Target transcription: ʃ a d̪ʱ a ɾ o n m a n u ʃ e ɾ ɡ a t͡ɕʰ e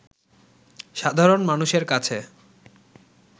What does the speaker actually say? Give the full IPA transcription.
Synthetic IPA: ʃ a d̪ʱ a ɾ o n m a n u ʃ e ɾ k a t͡ɕʰ e